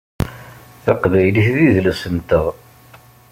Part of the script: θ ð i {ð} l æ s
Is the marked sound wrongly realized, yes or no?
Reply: no